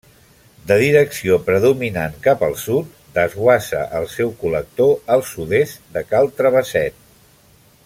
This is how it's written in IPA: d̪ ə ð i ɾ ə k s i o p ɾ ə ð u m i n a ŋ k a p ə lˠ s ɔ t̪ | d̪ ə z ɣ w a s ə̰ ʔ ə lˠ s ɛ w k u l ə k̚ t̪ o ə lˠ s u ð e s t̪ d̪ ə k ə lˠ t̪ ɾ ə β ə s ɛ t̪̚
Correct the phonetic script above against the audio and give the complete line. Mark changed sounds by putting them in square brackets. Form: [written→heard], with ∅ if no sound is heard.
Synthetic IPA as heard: d̪ ə ð i ɾ ə k s i o p ɾ ə ð u m i n a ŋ k a p ə lˠ s [ɔ→u] t̪ | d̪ ə z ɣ w a s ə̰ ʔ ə lˠ s ɛ w k u l ə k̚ t̪ o ə lˠ s u ð e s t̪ d̪ ə k [ə→a] lˠ t̪ ɾ ə β ə s ɛ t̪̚